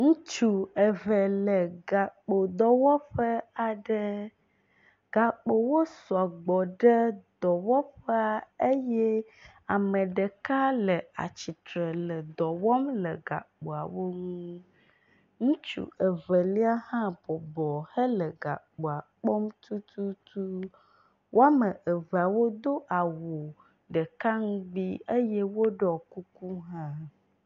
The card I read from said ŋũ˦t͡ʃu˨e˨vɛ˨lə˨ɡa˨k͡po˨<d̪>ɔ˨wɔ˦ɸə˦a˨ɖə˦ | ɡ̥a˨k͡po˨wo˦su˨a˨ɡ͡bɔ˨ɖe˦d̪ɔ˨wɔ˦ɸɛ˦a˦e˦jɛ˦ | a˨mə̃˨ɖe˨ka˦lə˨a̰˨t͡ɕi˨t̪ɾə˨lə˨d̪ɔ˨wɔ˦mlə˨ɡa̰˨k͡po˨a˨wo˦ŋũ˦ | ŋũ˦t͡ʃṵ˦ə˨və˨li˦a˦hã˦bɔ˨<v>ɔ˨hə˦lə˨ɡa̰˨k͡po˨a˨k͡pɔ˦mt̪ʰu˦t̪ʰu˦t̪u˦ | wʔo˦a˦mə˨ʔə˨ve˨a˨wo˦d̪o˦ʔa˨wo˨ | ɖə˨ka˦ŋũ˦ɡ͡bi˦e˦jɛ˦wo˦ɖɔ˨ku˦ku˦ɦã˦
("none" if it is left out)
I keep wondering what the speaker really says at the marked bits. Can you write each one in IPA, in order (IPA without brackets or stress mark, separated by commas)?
d̪, b